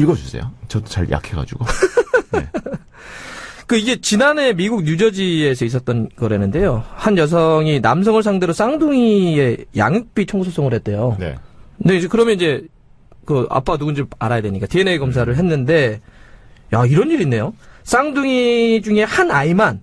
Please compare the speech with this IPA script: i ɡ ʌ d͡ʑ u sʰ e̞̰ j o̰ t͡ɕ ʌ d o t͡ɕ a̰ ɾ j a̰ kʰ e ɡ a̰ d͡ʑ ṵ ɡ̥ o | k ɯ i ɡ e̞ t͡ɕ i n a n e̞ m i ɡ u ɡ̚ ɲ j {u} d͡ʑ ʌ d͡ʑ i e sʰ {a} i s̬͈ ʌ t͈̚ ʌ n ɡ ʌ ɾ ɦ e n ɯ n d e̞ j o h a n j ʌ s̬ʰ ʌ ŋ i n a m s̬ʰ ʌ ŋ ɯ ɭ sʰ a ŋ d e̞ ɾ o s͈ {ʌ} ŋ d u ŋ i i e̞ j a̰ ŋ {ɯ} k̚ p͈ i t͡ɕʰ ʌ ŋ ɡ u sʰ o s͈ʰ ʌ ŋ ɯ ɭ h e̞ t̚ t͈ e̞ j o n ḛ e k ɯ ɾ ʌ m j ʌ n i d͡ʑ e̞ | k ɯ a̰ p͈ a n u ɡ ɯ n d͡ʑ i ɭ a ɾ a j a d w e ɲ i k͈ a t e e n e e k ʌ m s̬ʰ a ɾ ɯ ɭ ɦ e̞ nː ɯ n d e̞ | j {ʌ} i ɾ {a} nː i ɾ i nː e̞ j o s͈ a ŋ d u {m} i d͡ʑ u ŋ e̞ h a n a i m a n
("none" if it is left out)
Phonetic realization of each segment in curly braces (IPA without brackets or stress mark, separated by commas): u, ʌ, a, ɯ, a, ʌ, ŋ